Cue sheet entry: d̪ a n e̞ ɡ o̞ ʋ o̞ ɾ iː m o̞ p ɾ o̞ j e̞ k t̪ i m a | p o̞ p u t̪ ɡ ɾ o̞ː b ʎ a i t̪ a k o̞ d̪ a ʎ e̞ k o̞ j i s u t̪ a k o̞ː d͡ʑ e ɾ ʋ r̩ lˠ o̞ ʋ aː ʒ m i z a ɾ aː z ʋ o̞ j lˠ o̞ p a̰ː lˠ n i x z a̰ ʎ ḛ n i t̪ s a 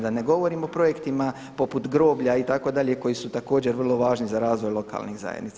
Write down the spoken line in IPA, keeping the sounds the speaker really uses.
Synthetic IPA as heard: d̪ a n e̞ ɡ o̞ ʋ o̞ ɾ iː m o̞ p ɾ o̞ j e̞ k t̪ i m a | p o̞ p u t̪ ɡ ɾ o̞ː b ʎ a i t̪ a k o̞ d̪ a ʎ e̞ k o̞ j i s u t̪ a k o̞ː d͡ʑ e ɾ ʋ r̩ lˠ o̞ ʋ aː ʒ n i z a ɾ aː z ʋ o̞ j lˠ o̞ k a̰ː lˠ n i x z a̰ j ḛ n i t̪ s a